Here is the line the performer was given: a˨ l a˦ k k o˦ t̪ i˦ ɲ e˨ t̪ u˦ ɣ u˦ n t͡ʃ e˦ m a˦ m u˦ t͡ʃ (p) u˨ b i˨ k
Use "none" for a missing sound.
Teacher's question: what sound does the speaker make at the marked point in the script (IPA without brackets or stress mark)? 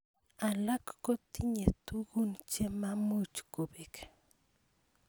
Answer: k